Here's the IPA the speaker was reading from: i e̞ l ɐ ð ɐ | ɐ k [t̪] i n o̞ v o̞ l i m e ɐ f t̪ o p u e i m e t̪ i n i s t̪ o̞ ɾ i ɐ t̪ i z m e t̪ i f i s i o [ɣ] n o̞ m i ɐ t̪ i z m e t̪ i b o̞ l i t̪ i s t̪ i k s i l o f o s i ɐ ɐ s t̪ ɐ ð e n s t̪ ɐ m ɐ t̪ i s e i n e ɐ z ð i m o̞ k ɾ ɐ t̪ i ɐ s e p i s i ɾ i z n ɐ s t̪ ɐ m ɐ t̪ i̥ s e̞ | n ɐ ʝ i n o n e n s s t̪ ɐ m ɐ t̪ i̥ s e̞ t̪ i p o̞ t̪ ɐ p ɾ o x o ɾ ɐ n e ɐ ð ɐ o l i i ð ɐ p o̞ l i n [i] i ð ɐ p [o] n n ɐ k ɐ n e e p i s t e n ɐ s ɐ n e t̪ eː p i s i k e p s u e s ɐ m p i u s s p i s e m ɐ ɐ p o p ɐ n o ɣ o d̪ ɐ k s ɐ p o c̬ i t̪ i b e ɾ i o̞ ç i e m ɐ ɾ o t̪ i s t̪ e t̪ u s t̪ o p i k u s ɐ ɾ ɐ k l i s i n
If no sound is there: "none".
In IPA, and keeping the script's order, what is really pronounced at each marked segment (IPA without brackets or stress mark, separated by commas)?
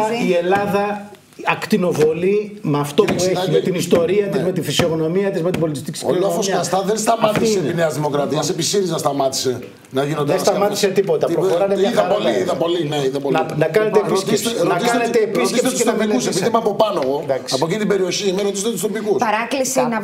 t̪, ɣ, e, o